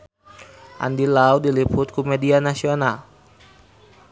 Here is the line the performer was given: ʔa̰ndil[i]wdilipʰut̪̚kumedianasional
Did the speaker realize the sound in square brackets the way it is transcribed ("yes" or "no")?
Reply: no